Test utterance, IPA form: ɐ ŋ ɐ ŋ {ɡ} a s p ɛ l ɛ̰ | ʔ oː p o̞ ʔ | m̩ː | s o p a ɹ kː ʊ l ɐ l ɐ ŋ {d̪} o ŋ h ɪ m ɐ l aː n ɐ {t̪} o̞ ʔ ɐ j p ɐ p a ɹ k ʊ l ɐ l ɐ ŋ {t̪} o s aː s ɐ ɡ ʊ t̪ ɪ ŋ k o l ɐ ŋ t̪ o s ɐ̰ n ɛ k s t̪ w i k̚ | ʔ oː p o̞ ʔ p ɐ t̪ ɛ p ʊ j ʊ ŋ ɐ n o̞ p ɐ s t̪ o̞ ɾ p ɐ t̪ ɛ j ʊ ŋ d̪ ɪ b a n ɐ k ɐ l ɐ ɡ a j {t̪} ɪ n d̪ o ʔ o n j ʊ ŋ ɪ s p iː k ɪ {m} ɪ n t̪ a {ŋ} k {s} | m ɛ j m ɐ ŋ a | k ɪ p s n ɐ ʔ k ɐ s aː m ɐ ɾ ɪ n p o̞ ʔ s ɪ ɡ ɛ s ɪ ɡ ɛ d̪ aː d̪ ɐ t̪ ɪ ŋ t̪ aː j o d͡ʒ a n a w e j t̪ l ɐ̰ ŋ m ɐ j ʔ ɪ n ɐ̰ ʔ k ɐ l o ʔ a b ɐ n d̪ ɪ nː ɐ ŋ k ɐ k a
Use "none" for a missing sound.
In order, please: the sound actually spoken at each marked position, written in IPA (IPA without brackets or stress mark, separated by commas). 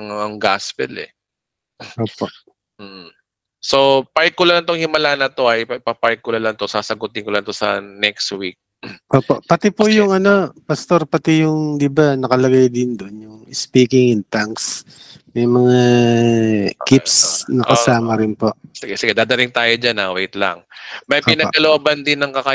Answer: ɡ, t̪, t̪, t̪, d̪, ŋ, ŋ, s